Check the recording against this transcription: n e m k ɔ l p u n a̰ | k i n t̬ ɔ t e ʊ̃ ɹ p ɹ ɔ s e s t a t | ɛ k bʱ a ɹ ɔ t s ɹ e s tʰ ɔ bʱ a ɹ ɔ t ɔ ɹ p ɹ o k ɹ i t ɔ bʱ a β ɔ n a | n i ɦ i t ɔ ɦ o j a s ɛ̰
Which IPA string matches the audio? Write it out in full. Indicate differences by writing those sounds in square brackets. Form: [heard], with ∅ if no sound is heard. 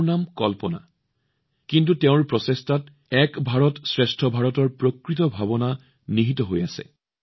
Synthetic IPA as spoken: n [a] m k ɔ l p [ɔ] n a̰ | k i n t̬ [u] t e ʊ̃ ɹ p ɹ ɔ s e s t a t | ɛ k bʱ a ɹ ɔ t s ɹ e s tʰ ɔ bʱ a ɹ ɔ t ɔ ɹ p ɹ o k ɹ i t ɔ bʱ a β ɔ n a | n i ɦ i t ɔ ɦ o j a s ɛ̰